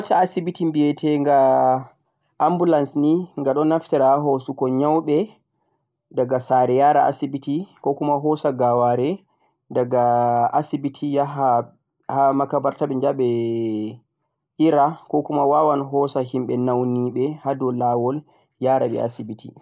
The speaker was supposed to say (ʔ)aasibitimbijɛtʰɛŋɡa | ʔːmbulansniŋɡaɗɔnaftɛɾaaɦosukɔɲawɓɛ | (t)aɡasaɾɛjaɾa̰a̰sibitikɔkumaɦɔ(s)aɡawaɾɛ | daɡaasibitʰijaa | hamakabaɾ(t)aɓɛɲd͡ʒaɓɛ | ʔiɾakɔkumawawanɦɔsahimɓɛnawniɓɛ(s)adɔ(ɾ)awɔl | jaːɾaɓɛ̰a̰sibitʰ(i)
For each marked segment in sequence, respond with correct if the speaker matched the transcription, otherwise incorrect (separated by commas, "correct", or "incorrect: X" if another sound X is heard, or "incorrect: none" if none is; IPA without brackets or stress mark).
incorrect: t, incorrect: d, correct, correct, incorrect: h, incorrect: l, correct